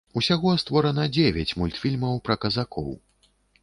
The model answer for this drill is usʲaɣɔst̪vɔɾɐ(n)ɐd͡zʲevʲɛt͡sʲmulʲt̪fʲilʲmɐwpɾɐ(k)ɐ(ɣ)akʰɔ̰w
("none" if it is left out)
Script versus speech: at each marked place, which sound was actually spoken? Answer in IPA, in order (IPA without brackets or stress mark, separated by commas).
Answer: n, k, z